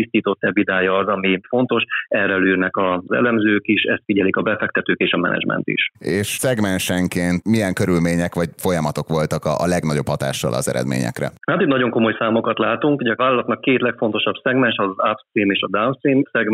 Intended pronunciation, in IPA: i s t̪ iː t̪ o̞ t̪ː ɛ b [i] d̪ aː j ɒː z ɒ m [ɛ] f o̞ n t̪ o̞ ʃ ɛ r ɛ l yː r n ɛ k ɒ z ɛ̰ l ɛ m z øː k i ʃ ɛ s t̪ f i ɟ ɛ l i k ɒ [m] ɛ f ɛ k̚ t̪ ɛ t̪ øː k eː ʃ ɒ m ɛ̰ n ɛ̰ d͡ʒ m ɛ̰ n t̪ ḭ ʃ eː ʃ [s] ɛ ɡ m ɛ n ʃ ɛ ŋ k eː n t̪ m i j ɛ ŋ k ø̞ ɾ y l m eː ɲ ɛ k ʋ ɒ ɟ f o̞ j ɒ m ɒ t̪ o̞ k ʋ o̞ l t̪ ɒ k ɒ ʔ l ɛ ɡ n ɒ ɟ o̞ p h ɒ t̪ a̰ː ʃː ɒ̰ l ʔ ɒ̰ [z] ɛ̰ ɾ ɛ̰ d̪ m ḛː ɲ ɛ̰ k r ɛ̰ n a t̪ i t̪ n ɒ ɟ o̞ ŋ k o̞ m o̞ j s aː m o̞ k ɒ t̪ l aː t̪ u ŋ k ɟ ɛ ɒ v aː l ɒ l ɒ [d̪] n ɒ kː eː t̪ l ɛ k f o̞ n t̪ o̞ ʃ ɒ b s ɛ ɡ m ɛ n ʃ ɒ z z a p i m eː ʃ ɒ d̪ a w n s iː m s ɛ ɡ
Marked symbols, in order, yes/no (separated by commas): yes, no, no, yes, yes, no